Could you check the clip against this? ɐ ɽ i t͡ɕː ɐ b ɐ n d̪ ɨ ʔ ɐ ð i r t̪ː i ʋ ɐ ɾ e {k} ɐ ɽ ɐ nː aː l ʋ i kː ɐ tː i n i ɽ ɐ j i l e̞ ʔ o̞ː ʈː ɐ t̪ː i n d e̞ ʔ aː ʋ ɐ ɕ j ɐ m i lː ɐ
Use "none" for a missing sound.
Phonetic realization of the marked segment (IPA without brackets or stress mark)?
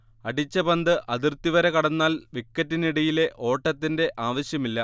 k